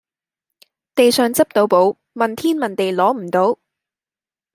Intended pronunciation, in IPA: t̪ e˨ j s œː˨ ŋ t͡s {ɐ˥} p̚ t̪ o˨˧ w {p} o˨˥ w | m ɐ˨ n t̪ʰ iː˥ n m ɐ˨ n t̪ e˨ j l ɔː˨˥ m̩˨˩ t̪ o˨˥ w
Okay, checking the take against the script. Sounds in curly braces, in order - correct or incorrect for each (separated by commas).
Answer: correct, correct